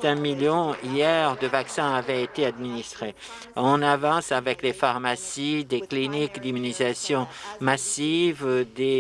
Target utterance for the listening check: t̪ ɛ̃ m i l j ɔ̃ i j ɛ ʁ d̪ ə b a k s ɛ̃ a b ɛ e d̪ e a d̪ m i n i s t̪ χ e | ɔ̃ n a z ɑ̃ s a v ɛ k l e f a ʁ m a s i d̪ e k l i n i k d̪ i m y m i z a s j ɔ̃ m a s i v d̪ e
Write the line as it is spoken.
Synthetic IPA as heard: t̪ ɛ̃ m i l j ɔ̃ i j ɛ ʁ d̪ ə v a k s ɛ̃ a v ɛ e t̪ e a d̪ m i n i s t̪ χ e | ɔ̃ n a v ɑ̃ s a v ɛ k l e f a ʁ m a s i d̪ e k l i n i k d̪ i m y n i z a s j ɔ̃ m a s i v d̪ e

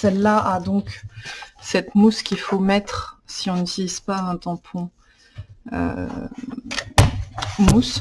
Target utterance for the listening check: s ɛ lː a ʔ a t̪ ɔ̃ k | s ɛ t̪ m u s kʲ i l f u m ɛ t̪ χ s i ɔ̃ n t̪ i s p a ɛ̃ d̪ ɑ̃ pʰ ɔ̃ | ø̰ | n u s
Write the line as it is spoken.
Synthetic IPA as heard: s ɛ lː a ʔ a d̪ ɔ̃ k | s ɛ t̪ m u s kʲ i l f o m ɛ t̪ χ s i ɔ̃ n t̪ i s p a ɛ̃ t̪ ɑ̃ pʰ ɔ̃ | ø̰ | m u s

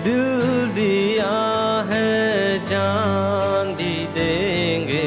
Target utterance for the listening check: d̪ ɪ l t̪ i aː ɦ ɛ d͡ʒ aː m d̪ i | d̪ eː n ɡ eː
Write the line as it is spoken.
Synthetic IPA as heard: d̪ ɪ l d̪ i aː ɦ ɛ d͡ʒ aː n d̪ i | d̪ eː ŋ ɡ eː

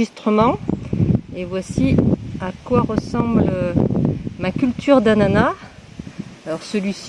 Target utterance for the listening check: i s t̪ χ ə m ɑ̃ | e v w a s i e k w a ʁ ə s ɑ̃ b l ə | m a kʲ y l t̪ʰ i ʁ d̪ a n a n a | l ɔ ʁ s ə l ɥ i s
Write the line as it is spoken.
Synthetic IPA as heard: i s t̪ χ ə m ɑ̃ | e v w a s i a k w a ʁ ə s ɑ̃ b l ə | m a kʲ y l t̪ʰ y ʁ d̪ a n a n a | l ɔ ʁ s ə l ɥ i s

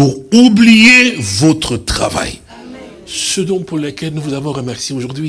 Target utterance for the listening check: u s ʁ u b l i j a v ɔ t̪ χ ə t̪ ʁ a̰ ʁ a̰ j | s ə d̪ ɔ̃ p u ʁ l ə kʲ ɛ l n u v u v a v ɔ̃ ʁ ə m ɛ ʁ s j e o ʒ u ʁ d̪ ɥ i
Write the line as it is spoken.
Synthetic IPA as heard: u ʁ u b l i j e v ɔ t̪ χ ə t̪ χ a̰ v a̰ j | s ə d̪ ɔ̃ p u ʁ l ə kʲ ɛ l n u v u z a v ɔ̃ ʁ ə m ɛ ʁ s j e o ʒ u ʁ d̪ ɥ i

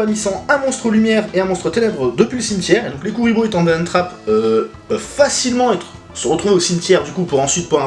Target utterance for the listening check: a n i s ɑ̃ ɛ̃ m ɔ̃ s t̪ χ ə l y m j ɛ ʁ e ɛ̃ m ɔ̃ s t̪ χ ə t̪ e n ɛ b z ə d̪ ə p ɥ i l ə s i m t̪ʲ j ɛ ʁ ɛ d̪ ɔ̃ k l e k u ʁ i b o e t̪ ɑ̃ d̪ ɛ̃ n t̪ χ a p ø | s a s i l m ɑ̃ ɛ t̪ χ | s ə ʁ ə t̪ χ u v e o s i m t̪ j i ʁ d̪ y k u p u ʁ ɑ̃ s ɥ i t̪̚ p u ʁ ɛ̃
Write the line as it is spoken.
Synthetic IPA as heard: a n i s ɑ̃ ɛ̃ m ɔ̃ s t̪ χ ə l y m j ɛ ʁ e ɛ̃ m ɔ̃ s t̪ χ ə t̪ e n ɛ b ʁ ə d̪ ə p ɥ i l ə s i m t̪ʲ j ɛ ʁ e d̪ ɔ̃ k l e k u ʁ i b o e t̪ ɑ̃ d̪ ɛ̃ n t̪ χ a p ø | f a s i l m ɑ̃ ɛ t̪ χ | s ə ʁ ə t̪ χ u v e o s i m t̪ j ɛ ʁ d̪ y k u p u ʁ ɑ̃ s ɥ i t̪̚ p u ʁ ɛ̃

